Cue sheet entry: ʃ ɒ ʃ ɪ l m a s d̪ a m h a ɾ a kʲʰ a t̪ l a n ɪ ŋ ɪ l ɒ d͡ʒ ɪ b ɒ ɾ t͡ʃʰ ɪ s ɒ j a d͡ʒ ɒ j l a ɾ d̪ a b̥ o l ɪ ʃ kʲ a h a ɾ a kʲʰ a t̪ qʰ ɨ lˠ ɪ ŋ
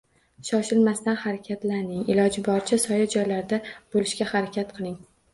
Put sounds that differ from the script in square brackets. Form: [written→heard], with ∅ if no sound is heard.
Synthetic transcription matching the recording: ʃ ɒ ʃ ɪ l m a s [d̪→t̪] a [m→n] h a ɾ a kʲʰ a t̪ l a n ɪ ŋ ɪ l ɒ d͡ʒ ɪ b ɒ ɾ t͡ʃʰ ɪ s ɒ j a d͡ʒ ɒ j l a ɾ d̪ a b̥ o l ɪ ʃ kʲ a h a ɾ a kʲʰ a t̪ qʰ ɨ lˠ ɪ ŋ